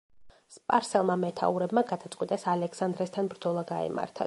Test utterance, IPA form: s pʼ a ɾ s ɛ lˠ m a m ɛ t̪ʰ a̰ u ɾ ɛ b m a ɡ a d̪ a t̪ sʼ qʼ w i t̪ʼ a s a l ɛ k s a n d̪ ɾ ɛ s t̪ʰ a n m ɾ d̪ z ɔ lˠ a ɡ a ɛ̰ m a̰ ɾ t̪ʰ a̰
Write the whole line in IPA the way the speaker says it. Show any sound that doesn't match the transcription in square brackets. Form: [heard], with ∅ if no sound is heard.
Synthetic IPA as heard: s pʼ a ɾ s ɛ lˠ m a m ɛ t̪ʰ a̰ u ɾ ɛ b m a ɡ a d̪ a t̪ sʼ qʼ w i t̪ʼ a s a l ɛ k s a n d̪ ɾ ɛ s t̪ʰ a n [b] ɾ d̪ z ɔ lˠ a ɡ a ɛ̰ m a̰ ɾ t̪ʰ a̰